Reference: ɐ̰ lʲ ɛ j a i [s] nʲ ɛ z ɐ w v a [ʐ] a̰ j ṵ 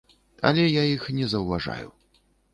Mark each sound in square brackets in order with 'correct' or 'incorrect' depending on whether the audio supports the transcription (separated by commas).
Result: incorrect, correct